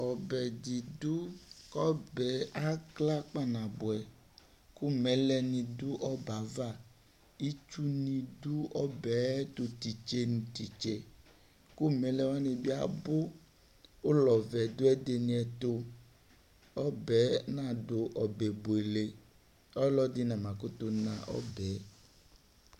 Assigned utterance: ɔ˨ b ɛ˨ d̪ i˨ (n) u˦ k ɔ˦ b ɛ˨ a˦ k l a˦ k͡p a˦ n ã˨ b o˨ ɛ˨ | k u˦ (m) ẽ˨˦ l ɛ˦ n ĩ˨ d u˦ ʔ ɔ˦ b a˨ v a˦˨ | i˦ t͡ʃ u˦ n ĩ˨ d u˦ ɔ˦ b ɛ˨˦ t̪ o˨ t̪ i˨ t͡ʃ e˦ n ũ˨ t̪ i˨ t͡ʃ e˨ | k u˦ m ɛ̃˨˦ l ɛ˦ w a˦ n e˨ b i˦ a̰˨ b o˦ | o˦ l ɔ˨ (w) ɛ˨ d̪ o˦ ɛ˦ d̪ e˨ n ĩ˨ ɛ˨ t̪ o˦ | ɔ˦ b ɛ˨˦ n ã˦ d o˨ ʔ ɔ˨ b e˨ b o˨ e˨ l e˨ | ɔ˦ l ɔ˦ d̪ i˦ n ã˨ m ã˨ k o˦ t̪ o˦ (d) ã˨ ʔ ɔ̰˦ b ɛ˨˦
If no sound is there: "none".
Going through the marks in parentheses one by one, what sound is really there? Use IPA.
d, m, v, n

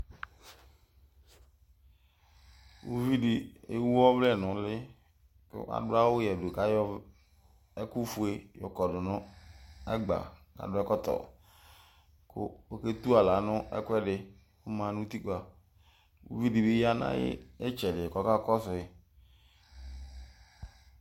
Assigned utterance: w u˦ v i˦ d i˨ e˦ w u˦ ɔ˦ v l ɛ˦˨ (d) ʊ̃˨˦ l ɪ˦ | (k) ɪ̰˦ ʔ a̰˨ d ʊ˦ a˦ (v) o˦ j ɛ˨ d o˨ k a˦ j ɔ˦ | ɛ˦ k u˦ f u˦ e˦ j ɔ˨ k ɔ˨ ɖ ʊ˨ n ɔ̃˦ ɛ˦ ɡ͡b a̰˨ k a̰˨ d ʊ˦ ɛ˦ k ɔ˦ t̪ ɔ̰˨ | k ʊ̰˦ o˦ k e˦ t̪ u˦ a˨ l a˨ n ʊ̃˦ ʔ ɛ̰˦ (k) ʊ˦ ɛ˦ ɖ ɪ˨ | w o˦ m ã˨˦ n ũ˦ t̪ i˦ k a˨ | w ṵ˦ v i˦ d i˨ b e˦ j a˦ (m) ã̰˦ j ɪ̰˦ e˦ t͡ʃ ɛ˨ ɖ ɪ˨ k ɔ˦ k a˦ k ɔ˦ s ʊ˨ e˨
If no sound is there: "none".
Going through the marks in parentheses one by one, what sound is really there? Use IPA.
n, k, w, k, n

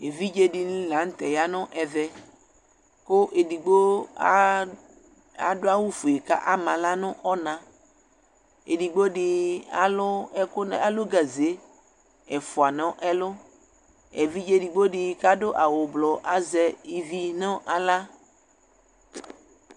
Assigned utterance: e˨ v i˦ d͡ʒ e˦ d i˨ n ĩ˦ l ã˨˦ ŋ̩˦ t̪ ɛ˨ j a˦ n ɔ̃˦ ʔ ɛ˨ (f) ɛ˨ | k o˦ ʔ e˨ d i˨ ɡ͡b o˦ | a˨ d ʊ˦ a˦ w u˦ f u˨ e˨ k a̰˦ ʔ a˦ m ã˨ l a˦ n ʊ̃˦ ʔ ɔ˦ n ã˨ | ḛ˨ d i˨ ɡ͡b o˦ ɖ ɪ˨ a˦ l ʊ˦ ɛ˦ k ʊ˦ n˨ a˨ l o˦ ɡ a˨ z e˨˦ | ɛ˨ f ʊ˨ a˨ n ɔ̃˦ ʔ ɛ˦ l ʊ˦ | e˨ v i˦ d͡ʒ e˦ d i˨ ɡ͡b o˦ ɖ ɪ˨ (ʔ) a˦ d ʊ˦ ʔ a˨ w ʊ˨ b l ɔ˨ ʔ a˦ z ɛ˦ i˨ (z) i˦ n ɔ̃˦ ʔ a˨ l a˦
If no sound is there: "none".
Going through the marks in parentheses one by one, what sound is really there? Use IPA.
v, k, v

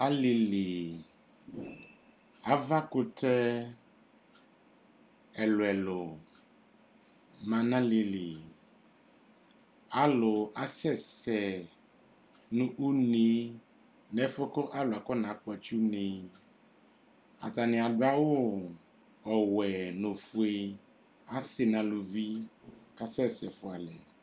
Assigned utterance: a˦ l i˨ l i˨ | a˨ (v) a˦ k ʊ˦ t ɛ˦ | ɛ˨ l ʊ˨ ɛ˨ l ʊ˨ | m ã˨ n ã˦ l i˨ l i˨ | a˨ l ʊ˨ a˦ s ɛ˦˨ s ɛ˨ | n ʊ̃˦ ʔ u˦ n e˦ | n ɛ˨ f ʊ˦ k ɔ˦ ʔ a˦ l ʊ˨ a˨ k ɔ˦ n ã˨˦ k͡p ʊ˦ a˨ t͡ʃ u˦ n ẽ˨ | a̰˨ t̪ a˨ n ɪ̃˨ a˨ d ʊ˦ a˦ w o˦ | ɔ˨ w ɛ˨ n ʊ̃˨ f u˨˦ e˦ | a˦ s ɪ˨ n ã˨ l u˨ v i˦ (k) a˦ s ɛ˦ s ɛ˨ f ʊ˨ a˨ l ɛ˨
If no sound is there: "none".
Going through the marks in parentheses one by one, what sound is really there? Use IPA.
v, k

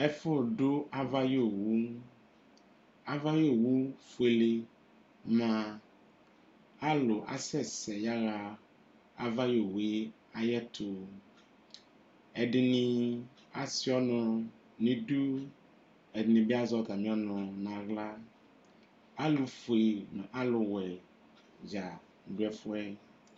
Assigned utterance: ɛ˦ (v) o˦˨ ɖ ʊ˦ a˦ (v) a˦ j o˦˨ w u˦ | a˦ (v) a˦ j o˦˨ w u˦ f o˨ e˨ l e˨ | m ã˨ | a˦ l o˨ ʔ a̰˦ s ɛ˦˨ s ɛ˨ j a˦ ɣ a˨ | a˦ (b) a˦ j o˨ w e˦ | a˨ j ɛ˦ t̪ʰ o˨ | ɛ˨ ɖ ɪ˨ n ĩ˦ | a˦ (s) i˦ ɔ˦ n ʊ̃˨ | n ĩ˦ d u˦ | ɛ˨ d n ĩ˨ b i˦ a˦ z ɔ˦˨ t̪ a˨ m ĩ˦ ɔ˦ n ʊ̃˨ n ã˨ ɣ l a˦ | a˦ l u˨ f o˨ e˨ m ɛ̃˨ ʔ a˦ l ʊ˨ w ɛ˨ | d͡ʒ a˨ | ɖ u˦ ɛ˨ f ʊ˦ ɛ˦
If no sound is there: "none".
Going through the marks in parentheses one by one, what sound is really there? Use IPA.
f, v, v, v, s

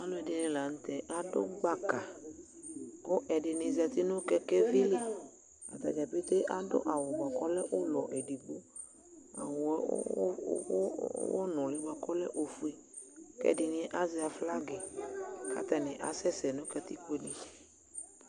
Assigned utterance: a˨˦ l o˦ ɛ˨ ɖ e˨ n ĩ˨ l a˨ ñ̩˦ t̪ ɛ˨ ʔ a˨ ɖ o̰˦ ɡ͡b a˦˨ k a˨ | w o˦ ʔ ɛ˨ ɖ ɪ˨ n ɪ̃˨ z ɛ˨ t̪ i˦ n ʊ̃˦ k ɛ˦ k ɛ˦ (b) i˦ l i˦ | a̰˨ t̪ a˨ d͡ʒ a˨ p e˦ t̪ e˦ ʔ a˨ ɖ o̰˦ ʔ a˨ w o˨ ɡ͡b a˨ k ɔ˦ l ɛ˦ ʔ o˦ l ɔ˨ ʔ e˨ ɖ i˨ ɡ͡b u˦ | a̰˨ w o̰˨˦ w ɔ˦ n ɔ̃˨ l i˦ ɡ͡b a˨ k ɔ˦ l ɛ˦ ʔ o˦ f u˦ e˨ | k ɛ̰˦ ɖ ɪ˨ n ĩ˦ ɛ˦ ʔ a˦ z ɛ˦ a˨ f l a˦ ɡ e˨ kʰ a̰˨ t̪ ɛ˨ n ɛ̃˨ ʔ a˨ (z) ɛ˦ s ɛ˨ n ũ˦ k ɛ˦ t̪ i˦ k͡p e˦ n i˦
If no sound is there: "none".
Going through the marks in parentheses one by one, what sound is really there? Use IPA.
v, s

